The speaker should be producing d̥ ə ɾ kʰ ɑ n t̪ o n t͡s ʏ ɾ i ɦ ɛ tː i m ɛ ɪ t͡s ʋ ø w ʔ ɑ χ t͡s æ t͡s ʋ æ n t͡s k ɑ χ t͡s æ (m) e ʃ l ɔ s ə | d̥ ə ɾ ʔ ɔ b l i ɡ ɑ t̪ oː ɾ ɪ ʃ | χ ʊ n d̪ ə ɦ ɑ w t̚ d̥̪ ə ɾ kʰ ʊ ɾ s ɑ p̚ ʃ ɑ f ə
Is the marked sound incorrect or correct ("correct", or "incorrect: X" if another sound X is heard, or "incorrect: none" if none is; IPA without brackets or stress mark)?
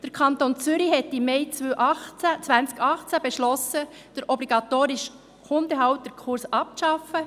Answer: incorrect: b